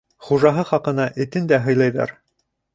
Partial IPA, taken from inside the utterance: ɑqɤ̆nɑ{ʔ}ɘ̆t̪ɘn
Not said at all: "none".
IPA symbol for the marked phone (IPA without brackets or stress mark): ʔ